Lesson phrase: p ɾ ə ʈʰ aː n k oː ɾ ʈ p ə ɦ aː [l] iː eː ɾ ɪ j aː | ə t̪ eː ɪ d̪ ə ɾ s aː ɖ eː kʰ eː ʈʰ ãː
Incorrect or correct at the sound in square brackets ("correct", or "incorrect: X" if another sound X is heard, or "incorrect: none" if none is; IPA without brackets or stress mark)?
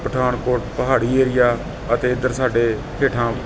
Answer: incorrect: ɽ